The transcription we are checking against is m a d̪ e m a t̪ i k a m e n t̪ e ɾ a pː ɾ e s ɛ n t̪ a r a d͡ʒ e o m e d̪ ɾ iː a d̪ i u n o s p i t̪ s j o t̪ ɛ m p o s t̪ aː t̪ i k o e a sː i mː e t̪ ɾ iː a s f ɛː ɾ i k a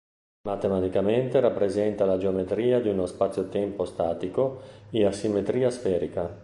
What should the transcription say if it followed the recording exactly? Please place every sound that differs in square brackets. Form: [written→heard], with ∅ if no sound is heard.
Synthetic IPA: m a [d̪→t̪] e m a t̪ i k a m e n t̪ e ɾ a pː ɾ e [s→z] ɛ n t̪ a [r→l] a d͡ʒ e o m e [d̪→t̪] ɾ iː a d̪ i u n o s p [i→a] t̪ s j o t̪ ɛ m p o s t̪ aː t̪ i k o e a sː i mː e t̪ ɾ iː a s f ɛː ɾ i k a